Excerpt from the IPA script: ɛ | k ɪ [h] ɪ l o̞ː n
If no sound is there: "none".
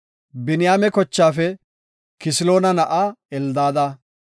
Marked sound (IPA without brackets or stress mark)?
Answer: s